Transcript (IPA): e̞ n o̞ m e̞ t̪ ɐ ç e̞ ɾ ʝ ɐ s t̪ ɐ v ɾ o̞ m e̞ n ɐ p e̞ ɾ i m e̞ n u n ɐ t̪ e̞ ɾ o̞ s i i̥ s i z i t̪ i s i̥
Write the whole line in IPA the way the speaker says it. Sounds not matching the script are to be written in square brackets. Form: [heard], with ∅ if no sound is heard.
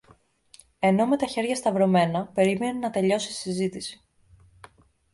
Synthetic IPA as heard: e̞ n o̞ m e̞ t̪ ɐ ç e̞ ɾ ʝ ɐ s t̪ ɐ v ɾ o̞ m e̞ n ɐ p e̞ ɾ i m e̞ n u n ɐ t̪ e̞ [ʎ] o̞ s i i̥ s i z i t̪ i s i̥